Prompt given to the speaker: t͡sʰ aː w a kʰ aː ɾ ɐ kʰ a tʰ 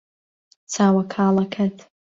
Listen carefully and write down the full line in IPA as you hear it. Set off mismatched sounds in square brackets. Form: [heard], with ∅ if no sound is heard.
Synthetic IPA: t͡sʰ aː w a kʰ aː [l] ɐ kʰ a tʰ